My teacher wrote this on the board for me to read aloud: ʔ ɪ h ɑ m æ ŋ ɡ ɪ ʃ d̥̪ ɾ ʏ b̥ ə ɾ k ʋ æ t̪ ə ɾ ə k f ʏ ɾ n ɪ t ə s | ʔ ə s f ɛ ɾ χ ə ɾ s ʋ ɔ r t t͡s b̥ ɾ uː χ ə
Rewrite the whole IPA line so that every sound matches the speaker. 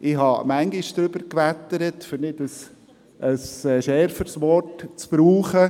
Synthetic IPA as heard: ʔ ɪ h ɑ m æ ŋ ɡ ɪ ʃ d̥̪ ɾ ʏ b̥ ə ɾ k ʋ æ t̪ ə ɾ ə t f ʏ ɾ n ɪ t ə s | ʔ ə s ʃ ɛ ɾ f ə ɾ s ʋ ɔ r t t͡s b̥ ɾ uː χ ə